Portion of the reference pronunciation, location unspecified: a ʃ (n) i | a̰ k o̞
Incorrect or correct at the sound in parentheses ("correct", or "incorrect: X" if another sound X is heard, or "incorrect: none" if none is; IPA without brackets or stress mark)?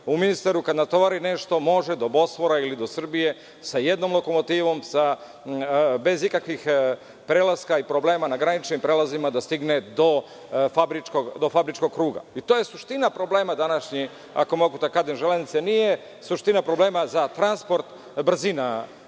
incorrect: ɲ